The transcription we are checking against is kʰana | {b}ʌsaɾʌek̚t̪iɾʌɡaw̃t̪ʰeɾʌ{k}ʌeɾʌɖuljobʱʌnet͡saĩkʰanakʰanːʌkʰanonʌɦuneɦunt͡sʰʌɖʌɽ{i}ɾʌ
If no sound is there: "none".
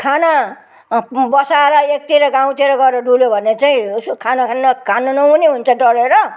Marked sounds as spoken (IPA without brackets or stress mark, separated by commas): b, ɡ, e